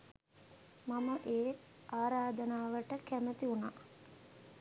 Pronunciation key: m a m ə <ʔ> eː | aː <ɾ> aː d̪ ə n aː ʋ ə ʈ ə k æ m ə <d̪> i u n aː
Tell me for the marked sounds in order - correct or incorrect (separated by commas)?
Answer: correct, correct, incorrect